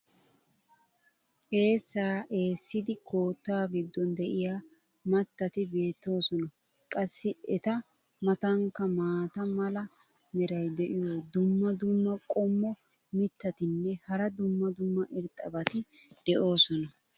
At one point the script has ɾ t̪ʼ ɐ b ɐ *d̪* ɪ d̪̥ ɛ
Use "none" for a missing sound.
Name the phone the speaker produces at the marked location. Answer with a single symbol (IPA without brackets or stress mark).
t̪